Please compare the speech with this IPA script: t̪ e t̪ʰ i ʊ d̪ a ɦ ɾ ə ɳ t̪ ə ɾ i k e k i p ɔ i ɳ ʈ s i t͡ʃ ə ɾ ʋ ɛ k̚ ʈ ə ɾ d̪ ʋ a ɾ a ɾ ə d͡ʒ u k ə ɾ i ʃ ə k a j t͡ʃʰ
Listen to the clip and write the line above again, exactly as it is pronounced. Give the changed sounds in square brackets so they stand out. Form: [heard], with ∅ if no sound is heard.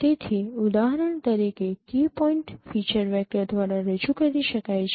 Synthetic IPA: t̪ e t̪ʰ i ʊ d̪ a ɦ ɾ ə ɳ t̪ ə ɾ i k e k i p ɔ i ɳ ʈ [f] i t͡ʃ ə ɾ ʋ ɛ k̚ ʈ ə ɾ d̪ ʋ a ɾ a ɾ ə d͡ʒ u k ə ɾ i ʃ ə k a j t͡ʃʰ